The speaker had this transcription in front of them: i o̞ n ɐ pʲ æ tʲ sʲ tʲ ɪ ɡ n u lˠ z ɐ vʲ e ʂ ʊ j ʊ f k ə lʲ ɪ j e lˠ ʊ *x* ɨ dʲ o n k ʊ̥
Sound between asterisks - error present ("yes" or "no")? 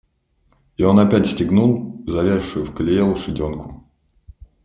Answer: yes